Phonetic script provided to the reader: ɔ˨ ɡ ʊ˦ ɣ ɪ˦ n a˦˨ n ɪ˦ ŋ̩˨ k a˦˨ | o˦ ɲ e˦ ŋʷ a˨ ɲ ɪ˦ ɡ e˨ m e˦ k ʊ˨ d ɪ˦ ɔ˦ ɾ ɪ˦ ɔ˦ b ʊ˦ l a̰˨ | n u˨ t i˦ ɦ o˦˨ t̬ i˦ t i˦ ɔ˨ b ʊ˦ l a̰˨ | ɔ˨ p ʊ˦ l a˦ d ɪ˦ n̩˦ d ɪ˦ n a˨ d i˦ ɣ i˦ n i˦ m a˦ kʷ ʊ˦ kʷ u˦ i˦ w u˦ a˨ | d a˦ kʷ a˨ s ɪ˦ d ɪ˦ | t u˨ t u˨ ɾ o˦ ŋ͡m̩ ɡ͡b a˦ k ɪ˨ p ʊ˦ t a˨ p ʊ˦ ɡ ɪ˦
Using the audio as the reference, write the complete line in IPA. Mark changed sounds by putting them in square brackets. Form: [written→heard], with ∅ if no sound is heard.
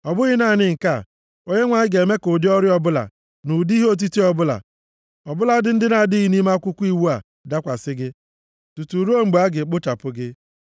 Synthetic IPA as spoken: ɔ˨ [ɡ→b] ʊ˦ ɣ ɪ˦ n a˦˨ n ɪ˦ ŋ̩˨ k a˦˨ | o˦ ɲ e˦ ŋʷ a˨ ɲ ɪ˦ ɡ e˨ m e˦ k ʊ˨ d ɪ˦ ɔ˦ ɾ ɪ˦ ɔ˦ b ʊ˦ l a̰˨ | n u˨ [t→d] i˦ ɦ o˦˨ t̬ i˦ t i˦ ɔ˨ b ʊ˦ l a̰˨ | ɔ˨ [p→b] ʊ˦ l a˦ d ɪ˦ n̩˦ d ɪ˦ n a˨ d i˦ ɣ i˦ n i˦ m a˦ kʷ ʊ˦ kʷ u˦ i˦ w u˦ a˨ | d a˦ kʷ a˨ s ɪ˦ [d→ɡ] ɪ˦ | t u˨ t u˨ ɾ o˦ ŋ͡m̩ ɡ͡b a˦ [k→ɡ] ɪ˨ [p→k͡p] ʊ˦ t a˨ p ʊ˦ ɡ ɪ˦